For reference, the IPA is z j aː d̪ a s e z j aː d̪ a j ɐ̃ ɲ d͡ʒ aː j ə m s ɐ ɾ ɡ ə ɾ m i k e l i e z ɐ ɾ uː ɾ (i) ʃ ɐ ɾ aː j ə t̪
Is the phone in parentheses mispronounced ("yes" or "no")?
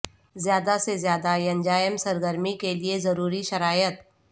no